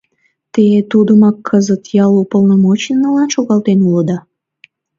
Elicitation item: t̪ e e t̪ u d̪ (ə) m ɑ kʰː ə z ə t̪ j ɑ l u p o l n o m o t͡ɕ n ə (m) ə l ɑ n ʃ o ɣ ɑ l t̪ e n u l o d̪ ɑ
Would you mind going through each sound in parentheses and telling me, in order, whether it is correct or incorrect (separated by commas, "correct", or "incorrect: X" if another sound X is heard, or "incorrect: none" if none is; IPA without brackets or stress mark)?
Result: correct, incorrect: n